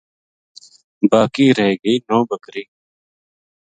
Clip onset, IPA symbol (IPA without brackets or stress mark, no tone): b